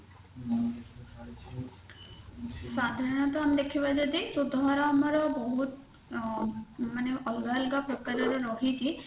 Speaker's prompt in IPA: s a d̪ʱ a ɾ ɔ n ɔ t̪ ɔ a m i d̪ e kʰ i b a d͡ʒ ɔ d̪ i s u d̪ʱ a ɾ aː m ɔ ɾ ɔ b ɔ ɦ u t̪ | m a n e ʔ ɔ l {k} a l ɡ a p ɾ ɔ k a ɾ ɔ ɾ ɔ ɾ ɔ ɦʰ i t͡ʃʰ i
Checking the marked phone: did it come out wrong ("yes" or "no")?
yes